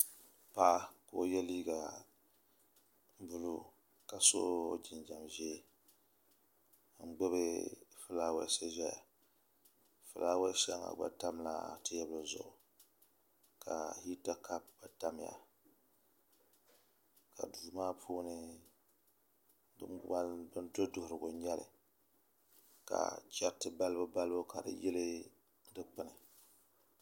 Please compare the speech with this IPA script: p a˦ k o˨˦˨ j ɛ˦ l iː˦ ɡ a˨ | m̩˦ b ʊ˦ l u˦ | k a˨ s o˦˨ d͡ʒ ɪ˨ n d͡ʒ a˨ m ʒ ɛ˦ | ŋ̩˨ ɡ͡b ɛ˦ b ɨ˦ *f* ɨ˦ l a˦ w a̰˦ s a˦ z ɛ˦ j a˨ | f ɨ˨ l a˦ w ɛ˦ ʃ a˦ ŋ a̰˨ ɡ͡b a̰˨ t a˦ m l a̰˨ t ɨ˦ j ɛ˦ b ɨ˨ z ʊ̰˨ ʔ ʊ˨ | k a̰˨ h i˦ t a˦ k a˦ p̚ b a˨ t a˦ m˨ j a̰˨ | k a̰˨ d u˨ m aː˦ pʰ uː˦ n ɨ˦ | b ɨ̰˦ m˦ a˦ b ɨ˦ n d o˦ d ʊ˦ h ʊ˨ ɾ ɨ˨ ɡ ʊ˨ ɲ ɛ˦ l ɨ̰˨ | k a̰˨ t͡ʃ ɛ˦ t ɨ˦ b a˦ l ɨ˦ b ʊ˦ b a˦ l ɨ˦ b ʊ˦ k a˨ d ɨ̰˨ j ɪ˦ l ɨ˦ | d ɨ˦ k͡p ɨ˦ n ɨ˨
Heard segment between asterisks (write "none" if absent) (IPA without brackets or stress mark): f